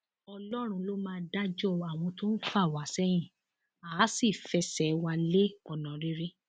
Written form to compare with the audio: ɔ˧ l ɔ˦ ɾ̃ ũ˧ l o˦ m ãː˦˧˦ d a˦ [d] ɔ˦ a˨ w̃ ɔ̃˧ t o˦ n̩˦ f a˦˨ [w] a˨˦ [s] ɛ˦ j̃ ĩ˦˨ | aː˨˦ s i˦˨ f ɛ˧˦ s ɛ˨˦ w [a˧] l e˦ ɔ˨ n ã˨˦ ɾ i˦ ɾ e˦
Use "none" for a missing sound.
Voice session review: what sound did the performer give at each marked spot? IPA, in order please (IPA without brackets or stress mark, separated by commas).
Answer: d͡ʒ, w, s, a˧